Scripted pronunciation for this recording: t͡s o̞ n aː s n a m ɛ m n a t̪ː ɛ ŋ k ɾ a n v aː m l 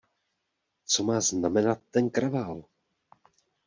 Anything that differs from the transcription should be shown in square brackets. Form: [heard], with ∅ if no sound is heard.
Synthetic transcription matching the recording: t͡s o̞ [m] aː [z] n a m ɛ [∅] n a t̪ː ɛ [n] k ɾ a [∅] v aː [∅] l